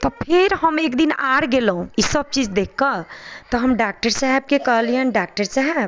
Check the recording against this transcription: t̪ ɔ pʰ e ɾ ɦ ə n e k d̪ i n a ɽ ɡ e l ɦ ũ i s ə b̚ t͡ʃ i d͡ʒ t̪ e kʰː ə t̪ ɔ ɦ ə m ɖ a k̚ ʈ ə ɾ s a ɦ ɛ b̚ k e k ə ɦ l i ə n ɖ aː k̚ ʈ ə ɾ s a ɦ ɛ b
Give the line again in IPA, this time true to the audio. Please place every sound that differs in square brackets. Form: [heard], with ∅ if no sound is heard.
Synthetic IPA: t̪ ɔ pʰ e ɾ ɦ ə [m] e k d̪ i n a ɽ ɡ e l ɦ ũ i s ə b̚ t͡ʃ i d͡ʒ [d̪] e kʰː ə t̪ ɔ ɦ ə m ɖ a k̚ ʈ ə ɾ s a ɦ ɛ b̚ k e k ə ɦ l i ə n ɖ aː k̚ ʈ ə ɾ s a ɦ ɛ b